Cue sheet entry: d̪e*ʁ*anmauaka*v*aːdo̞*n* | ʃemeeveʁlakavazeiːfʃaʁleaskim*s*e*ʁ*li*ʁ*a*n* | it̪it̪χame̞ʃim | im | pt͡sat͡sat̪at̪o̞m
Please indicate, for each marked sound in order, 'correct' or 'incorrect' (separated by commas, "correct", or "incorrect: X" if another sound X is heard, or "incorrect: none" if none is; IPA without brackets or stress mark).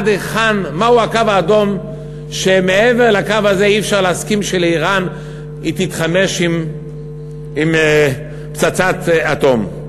incorrect: χ, correct, incorrect: m, incorrect: ʃ, incorrect: none, correct, correct